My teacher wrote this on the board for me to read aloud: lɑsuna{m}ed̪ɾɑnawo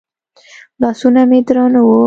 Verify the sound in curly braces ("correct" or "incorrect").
correct